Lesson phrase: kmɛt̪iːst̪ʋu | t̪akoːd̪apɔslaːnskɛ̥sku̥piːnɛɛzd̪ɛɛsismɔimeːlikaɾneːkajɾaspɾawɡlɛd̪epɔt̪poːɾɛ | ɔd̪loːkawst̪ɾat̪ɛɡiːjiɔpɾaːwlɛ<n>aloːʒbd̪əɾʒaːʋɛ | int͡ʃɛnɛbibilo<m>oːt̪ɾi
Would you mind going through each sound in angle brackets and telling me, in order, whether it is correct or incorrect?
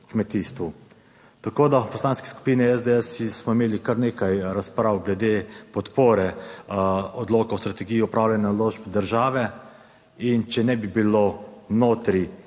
correct, incorrect: n

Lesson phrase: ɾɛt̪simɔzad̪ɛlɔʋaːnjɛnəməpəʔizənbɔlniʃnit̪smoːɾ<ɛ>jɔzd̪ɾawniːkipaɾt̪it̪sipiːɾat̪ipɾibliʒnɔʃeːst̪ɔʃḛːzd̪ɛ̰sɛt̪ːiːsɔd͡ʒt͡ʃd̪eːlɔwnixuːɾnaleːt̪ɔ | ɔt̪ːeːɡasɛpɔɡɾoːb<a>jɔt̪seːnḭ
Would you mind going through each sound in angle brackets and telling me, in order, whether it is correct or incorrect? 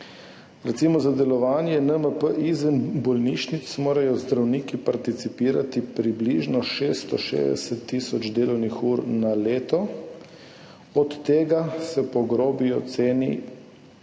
incorrect: a, incorrect: i

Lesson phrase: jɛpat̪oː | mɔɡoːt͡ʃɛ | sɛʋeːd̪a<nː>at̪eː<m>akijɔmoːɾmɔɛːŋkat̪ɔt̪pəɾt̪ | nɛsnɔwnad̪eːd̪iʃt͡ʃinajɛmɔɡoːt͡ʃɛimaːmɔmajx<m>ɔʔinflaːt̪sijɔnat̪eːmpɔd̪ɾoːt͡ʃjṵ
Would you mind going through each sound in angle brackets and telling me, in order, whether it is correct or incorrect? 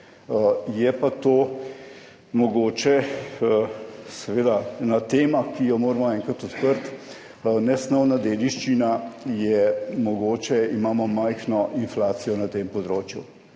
incorrect: n, correct, incorrect: n

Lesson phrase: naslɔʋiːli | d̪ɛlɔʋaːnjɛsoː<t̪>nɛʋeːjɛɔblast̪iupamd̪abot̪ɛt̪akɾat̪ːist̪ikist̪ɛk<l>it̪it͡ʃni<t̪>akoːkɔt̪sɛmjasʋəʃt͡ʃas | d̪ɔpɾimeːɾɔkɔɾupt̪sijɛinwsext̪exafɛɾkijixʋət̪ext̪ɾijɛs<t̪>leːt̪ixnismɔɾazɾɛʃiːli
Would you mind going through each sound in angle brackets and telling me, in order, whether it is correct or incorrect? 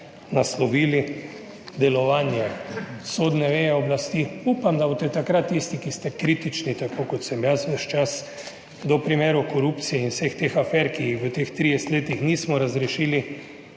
incorrect: d̪, incorrect: ɾ, correct, correct

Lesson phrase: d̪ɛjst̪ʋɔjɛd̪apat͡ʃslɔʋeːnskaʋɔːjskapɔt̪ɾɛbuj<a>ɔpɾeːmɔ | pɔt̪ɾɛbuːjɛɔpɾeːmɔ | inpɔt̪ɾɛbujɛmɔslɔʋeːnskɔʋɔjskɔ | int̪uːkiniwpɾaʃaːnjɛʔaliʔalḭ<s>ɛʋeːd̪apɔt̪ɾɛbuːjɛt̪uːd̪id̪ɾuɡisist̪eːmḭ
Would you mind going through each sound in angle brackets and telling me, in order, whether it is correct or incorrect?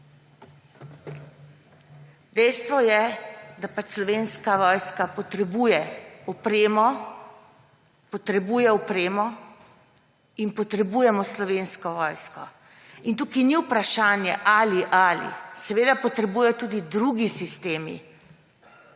incorrect: ɛ, correct

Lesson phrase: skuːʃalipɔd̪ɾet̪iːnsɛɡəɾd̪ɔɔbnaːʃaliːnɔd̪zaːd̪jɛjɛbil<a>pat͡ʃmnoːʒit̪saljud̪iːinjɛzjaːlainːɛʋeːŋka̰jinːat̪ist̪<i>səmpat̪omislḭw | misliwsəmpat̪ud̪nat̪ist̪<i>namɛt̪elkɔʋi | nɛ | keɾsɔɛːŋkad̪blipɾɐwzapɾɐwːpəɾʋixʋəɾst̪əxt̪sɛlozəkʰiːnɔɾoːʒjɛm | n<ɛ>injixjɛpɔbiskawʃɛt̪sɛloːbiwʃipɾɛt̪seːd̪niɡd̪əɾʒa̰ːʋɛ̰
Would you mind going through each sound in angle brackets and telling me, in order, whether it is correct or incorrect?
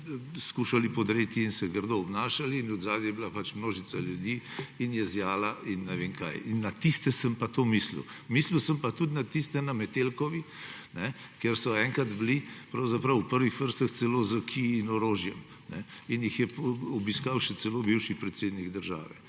correct, incorrect: ɛ, incorrect: ɛ, correct

